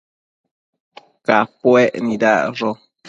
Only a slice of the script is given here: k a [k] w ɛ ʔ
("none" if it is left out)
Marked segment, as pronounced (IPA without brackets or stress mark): p